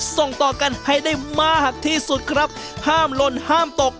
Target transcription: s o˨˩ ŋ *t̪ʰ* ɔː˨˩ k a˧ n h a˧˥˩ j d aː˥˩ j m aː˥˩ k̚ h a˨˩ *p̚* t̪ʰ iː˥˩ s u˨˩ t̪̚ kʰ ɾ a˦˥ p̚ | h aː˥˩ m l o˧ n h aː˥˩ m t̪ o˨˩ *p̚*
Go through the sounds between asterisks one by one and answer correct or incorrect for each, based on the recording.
incorrect: t̪, incorrect: k̚, incorrect: k̚

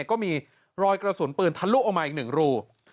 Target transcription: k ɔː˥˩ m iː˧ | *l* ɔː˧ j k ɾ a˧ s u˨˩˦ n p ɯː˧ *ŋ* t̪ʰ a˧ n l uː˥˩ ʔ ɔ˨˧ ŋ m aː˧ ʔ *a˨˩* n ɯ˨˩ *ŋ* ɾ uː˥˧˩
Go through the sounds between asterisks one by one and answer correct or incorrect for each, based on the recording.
incorrect: ɾ, incorrect: n, incorrect: i˨˩, correct

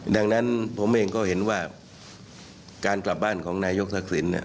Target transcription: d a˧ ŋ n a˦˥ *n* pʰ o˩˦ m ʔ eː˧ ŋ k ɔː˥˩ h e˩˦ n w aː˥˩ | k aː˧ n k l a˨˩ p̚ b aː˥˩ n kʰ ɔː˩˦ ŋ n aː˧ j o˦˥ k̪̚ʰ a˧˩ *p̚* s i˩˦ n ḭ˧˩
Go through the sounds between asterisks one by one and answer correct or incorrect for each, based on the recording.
correct, incorrect: k̚

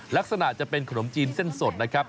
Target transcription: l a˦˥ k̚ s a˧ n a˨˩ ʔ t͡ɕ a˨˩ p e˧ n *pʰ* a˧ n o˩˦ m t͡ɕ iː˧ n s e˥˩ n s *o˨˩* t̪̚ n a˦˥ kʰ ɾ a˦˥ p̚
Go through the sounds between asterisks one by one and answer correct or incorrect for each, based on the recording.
incorrect: kʰ, correct

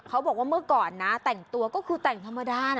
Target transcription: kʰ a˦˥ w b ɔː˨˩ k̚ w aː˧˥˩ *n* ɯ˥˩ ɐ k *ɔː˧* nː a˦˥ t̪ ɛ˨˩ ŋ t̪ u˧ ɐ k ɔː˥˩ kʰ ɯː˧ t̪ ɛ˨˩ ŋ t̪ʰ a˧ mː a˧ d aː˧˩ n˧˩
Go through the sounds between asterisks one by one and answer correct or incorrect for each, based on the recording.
incorrect: m, incorrect: ɔː˨˩

